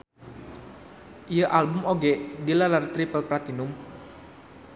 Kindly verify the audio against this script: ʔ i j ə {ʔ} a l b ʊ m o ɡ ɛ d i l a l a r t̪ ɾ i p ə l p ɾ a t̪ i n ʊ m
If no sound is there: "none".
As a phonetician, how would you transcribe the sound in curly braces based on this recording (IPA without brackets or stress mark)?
ʔ